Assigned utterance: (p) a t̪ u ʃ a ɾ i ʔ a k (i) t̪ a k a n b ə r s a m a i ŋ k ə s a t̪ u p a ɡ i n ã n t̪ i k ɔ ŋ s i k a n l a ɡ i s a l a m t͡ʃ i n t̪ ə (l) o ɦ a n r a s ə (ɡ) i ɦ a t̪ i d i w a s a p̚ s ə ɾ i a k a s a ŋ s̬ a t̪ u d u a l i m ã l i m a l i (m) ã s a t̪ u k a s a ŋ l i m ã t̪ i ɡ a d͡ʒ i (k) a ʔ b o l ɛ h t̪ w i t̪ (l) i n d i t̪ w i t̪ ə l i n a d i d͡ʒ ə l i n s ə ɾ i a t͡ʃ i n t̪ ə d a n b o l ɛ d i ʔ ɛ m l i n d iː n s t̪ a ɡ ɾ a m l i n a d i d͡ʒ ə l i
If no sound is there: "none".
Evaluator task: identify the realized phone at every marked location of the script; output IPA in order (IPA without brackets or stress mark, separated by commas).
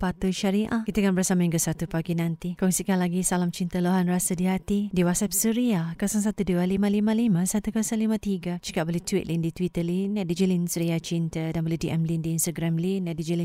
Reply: p, i, l, d, m, k, l